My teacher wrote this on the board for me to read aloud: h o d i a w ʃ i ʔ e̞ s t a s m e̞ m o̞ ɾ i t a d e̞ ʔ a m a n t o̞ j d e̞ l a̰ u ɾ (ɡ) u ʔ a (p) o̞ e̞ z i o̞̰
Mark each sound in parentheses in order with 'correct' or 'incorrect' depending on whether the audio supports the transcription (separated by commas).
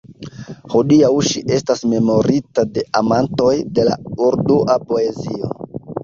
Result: incorrect, correct